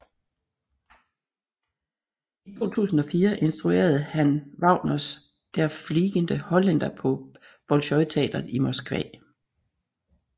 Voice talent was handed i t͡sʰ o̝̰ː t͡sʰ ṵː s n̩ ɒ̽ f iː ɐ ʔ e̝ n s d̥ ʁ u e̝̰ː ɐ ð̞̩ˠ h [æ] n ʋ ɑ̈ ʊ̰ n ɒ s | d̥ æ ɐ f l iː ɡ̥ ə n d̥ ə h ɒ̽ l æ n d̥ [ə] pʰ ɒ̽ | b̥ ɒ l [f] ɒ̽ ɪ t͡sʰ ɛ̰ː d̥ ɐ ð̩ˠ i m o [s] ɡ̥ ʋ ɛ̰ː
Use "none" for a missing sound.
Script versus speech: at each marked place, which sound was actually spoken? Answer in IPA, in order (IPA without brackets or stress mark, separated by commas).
æ, ɐ, ɕ, s